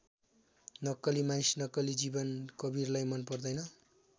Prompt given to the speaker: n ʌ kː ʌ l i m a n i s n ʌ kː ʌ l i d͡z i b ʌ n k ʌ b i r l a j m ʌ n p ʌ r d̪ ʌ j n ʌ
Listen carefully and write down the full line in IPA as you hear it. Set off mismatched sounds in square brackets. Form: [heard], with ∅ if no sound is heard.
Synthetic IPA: n ʌ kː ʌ l i m a n i s n ʌ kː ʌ l i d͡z i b ʌ n k ʌ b i r l a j m ʌ n p ʌ r d̪ ʌ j n ʌ